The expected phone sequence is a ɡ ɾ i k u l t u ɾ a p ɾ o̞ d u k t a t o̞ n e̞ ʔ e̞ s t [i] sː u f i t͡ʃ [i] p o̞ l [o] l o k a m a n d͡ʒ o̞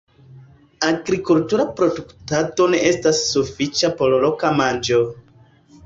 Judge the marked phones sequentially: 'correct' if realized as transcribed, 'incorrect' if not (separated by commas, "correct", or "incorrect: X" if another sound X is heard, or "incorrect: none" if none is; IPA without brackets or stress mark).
incorrect: a, incorrect: a, correct